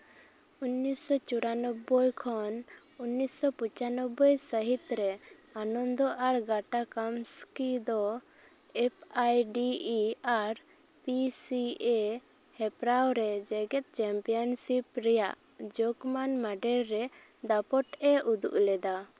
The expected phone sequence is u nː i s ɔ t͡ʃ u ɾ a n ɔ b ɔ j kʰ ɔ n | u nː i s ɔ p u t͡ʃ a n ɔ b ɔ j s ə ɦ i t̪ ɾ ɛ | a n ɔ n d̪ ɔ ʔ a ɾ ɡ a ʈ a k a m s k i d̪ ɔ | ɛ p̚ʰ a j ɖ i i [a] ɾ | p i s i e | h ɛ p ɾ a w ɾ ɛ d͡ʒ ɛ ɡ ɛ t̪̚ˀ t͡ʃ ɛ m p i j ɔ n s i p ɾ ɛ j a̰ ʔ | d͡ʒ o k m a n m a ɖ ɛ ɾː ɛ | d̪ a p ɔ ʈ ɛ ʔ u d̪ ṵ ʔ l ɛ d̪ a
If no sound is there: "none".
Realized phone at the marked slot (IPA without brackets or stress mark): a